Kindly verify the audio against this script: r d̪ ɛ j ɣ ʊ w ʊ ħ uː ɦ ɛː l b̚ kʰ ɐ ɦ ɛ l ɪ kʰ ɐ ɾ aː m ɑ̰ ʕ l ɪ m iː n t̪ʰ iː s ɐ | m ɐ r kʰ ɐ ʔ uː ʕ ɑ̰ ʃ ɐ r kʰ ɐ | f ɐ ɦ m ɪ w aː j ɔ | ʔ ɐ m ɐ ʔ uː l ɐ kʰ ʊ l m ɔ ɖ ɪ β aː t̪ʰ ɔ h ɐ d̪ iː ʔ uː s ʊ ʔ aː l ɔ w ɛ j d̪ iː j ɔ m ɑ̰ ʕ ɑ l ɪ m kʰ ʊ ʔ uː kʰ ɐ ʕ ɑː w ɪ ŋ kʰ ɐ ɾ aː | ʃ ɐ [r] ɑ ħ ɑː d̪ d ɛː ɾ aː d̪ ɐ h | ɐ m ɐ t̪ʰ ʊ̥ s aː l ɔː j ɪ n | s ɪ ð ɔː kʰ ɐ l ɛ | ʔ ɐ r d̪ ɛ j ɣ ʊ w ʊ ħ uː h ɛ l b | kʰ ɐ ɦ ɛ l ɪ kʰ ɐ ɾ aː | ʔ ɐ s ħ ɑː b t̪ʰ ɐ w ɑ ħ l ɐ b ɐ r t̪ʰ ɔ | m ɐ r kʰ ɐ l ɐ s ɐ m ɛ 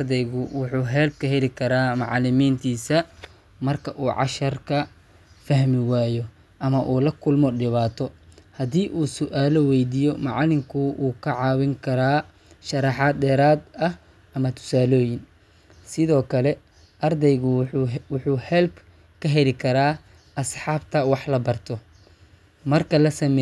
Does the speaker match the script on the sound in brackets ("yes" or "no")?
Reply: no